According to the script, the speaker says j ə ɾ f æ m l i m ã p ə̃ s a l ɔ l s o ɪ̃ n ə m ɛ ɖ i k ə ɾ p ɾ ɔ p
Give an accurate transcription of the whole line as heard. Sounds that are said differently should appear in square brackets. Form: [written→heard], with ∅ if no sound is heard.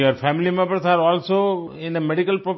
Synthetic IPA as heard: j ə ɾ f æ m l i m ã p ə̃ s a [l→ɾ] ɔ l s o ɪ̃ n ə m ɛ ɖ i k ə [ɾ→l] p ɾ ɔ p

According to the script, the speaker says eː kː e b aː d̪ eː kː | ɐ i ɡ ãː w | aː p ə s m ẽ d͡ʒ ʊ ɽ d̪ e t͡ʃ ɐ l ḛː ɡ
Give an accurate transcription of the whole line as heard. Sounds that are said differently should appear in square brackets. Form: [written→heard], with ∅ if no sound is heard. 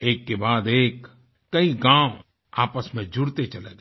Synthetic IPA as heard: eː kː e b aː d̪ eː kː | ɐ i ɡ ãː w | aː p ə s m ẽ d͡ʒ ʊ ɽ [d̪→t̪] e t͡ʃ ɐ l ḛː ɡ

